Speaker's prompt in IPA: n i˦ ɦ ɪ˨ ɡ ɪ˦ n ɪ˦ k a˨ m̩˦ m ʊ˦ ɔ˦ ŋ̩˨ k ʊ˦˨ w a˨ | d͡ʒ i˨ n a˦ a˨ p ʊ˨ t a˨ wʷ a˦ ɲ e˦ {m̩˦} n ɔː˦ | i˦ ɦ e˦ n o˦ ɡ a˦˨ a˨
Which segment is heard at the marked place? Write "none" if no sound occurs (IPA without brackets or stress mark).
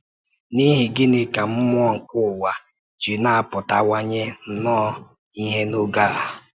n̩˦